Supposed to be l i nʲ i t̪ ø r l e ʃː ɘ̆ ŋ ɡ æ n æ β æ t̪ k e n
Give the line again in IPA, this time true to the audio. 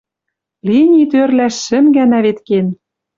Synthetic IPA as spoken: l i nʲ i t̪ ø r l æ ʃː ɘ̆ m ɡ æ n æ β e t̪ k e n

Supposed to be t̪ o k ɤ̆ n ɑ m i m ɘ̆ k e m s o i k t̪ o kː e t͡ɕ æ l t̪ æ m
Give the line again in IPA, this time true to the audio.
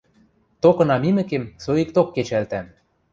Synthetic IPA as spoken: t̪ o k ɤ̆ n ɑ m i m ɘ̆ k e m s o i k t̪ o kː e t͡ɕ æ l t̪ æ m

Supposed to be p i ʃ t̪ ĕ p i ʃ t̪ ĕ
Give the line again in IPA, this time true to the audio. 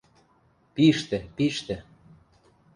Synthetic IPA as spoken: p i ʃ t̪ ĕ p i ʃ t̪ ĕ

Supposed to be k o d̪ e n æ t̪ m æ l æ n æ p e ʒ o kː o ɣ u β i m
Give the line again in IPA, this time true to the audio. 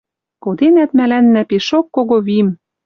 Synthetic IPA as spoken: k o d̪ e n æ t̪ m æ l æ nː æ p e ʃ o kː o ɣ o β i m

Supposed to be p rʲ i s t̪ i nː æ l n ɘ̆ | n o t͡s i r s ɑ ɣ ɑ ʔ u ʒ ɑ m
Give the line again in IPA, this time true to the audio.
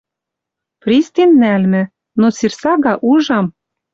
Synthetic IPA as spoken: p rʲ i s t̪ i nː æ l m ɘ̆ | n o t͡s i r s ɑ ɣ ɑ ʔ u ʒ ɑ m

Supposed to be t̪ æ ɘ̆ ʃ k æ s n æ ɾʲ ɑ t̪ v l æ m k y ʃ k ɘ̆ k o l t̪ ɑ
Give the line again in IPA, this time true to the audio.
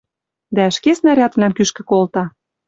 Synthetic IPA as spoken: d̪ æ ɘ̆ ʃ k e s n æ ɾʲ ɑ t̪ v l æ m k y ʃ k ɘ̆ k o l t̪ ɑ

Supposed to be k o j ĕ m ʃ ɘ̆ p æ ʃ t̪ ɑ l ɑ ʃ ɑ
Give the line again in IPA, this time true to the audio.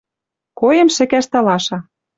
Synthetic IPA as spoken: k o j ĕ m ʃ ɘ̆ k æ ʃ t̪ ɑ l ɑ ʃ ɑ

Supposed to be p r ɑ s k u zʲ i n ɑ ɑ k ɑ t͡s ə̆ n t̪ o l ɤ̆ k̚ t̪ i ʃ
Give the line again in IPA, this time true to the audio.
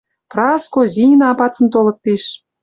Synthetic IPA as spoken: p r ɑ s k o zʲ i n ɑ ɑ p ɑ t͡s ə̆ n t̪ o l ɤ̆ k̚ t̪ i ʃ

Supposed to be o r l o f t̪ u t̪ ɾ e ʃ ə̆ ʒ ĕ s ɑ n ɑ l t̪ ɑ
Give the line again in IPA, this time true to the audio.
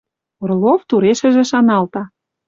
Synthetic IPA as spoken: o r l o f t̪ u ɾ e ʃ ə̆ ʒ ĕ ʃ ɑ n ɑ l t̪ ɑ

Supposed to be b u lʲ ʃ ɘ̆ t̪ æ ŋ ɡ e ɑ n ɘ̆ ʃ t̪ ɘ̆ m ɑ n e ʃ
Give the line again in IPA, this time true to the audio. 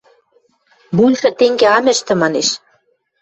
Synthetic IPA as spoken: b u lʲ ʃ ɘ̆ t̪ e ŋ ɡ e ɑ m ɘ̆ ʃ t̪ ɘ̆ m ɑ n e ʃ

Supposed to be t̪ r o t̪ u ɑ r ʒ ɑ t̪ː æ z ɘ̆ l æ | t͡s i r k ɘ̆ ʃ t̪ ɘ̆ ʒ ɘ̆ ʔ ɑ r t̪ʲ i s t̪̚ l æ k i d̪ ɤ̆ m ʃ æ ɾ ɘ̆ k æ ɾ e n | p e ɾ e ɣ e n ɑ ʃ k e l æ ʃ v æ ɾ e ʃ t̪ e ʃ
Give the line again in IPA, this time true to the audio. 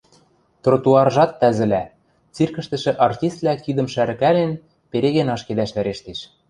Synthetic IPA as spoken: t̪ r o t̪ u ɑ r ʒ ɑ t̪ː æ z ɘ̆ l æ | t͡s i r k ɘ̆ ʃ t̪ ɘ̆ ʃ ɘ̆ ʔ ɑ r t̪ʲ i s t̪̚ l æ k i d̪ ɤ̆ m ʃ æ ɾ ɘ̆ k æ l e n | p e ɾ e ɣ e n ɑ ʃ k e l æ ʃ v æ ɾ e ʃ t̪ e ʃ

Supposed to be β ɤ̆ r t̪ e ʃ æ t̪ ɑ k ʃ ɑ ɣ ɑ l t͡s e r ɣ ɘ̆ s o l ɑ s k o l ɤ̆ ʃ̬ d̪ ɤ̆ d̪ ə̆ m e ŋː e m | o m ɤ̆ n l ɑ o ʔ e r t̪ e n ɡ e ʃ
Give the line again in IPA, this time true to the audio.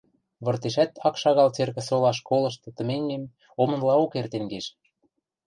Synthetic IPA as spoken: β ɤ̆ r t̪ e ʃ æ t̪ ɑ k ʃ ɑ ɣ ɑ l t͡s e r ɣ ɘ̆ s o l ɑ ʃ k o l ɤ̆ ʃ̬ t̪ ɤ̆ t̪ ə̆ m e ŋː e m | o m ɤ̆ n l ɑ o k e r t̪ e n ɡ e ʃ

